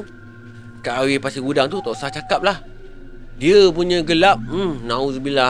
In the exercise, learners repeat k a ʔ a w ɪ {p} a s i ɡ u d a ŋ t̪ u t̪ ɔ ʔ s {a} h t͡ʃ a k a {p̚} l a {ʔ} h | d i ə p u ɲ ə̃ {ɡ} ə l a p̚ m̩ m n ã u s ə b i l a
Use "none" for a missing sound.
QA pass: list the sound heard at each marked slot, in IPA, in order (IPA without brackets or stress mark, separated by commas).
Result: p, a, p̚, none, ɡ